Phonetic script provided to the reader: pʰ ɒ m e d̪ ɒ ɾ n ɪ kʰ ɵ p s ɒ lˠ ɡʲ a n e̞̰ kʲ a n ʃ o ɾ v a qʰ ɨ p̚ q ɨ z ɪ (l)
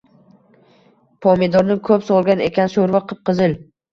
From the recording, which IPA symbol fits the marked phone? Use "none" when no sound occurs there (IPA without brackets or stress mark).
l